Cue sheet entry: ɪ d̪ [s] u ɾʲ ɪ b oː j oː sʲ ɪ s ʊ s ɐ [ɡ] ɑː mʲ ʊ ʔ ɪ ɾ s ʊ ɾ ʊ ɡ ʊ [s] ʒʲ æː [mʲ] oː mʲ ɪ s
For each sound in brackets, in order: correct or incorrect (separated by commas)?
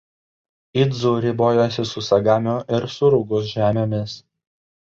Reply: incorrect, correct, correct, correct